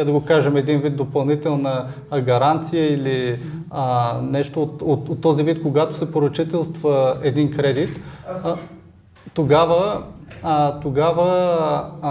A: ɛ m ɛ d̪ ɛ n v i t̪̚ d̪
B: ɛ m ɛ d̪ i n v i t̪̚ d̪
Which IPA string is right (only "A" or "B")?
B